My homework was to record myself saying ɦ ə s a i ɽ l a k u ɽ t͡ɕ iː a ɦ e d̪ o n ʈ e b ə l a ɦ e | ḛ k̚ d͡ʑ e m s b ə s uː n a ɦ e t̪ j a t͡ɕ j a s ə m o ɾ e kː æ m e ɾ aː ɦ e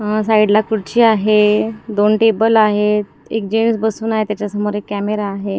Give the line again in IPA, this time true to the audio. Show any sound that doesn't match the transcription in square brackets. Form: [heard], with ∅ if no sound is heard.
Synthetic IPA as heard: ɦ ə s a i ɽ l a k u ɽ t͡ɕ iː a ɦ e d̪ o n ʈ e b ə l a ɦ e | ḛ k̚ d͡ʑ e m s b ə s uː n a ɦ e t̪ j a t͡ɕ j a s ə m o ɾ e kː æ m e ɾ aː ɦ e